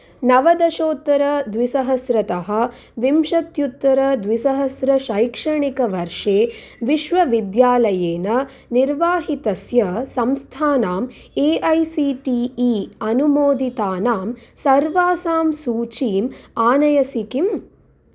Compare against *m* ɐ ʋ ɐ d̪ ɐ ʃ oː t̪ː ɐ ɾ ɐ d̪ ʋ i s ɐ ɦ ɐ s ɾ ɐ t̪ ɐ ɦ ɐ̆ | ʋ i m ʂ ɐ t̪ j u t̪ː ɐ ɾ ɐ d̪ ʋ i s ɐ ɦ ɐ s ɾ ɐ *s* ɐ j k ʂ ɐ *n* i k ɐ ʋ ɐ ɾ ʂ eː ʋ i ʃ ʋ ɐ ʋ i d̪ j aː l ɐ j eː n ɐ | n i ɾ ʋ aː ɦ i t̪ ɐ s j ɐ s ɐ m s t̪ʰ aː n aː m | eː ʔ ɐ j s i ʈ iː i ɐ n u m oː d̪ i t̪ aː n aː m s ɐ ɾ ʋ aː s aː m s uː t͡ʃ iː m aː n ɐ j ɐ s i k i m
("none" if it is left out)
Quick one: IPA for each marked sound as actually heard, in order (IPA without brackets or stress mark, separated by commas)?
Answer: n, ʃ, ɳ